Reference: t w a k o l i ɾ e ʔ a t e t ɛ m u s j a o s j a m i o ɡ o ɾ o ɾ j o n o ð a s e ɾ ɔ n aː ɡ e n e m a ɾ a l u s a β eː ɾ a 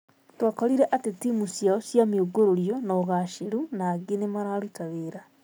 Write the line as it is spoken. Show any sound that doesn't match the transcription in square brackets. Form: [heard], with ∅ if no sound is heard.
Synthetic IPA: t w a k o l i ɾ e ʔ a t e t [i] m u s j a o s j a m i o ɡ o ɾ o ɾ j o n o [ɣ] a [ʃ] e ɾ [u] n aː ɡ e n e m a ɾ a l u [t] a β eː ɾ a

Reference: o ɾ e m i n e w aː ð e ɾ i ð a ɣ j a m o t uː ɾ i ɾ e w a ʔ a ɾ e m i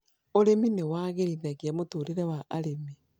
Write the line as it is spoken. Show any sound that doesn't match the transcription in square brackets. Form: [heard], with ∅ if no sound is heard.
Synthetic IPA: o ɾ e m i n e w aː [ɣ] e ɾ i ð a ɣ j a m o t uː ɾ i ɾ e w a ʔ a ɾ e m i

